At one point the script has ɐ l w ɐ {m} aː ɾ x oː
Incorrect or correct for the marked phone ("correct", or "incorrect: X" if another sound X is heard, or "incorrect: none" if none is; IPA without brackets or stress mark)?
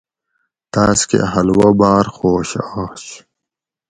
incorrect: b